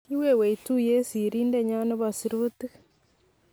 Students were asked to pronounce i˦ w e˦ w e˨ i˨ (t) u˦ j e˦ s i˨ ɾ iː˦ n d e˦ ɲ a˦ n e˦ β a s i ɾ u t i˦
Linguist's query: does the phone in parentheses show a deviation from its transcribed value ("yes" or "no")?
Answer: no